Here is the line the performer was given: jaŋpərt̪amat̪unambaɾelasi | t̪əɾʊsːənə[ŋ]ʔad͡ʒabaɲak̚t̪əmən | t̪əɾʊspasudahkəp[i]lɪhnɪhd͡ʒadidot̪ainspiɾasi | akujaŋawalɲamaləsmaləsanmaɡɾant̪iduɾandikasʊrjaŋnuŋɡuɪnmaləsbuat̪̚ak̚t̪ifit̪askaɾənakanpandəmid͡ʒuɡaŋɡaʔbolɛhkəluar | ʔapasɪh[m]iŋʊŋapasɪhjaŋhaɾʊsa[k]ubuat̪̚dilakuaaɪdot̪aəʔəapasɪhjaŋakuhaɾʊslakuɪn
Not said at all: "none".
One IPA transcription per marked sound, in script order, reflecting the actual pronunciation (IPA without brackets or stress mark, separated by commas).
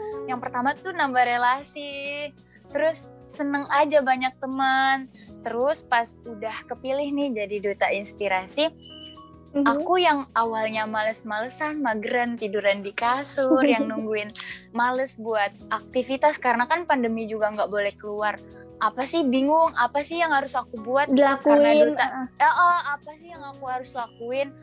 ŋ, i, b, k